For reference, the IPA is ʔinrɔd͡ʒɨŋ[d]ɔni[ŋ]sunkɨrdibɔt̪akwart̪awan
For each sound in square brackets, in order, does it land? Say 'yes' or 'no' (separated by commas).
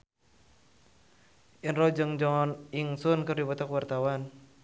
no, yes